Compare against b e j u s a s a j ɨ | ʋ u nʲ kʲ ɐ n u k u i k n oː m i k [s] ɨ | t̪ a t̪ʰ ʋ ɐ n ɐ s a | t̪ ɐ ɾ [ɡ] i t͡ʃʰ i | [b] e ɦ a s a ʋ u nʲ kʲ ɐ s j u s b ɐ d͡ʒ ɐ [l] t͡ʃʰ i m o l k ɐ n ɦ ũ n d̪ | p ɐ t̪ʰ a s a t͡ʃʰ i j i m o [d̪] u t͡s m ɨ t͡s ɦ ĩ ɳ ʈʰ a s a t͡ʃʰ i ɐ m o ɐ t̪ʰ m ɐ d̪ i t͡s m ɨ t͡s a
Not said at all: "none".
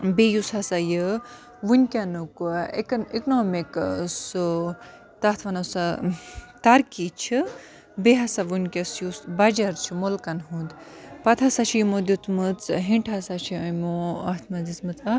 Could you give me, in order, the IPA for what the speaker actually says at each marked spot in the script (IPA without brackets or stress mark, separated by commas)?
s, k, b, ɾ, d̪